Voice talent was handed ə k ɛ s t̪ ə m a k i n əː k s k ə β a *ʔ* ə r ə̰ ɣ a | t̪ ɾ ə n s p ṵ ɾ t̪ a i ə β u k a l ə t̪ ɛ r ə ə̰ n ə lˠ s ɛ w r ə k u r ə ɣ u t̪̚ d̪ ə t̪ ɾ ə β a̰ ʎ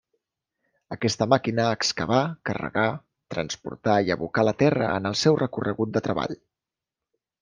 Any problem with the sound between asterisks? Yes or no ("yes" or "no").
yes